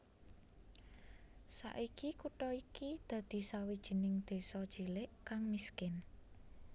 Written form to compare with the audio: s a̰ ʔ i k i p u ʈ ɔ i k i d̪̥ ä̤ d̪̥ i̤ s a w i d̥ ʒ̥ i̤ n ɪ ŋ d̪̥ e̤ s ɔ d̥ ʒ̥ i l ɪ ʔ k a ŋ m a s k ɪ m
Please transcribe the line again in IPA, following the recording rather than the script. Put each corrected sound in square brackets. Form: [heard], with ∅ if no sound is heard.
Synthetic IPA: s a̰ ʔ i k i [k] u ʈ ɔ i k i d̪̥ ä̤ d̪̥ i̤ s a w i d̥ ʒ̥ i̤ n ɪ ŋ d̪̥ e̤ s ɔ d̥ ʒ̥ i l ɪ ʔ k a ŋ m [i] s k ɪ [n]